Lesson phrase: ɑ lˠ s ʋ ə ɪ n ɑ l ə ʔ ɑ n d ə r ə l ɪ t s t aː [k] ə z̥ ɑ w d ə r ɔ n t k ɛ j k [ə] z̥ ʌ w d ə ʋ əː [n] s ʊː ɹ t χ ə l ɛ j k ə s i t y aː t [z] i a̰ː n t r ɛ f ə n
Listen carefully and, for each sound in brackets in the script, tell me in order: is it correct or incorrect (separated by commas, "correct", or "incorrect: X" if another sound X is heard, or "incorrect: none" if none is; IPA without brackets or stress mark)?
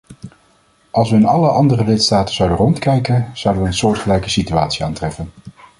incorrect: t, correct, correct, incorrect: s